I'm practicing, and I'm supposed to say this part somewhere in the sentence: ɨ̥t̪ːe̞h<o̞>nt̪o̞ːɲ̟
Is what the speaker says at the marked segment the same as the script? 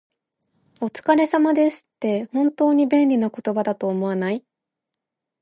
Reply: no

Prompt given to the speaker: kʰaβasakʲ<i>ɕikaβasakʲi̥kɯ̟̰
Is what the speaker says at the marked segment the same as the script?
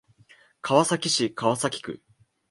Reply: yes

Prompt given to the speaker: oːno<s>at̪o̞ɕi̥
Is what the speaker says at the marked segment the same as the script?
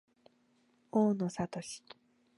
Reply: yes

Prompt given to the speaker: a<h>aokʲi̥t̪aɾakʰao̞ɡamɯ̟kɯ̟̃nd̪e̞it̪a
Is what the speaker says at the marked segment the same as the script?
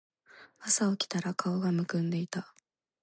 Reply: no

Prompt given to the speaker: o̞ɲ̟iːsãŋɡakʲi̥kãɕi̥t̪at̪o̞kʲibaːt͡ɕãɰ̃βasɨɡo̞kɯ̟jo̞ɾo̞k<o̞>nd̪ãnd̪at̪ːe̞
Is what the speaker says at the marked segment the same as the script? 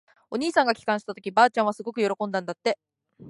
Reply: no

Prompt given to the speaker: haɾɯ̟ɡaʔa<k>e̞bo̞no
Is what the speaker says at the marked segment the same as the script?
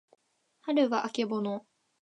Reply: yes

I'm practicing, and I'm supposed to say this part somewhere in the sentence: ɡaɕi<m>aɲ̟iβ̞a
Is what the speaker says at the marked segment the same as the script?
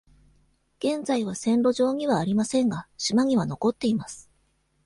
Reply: yes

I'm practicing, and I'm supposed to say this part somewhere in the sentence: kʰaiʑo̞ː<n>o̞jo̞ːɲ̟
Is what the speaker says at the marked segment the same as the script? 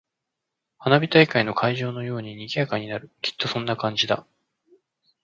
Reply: yes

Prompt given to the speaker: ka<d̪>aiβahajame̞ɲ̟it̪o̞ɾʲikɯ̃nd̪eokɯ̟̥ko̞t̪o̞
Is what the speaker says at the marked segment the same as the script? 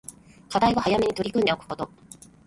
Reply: yes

